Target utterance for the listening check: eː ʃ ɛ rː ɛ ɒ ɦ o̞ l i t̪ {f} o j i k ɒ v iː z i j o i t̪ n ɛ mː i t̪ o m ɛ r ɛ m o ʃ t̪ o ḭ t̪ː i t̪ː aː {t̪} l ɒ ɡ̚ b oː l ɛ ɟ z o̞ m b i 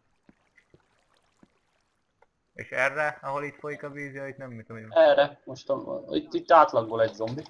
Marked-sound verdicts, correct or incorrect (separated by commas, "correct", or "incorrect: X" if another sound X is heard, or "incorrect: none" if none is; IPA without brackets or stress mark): correct, correct